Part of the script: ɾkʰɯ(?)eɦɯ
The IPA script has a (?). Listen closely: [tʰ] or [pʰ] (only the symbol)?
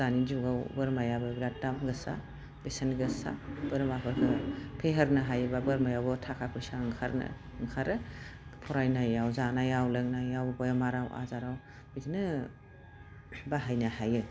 pʰ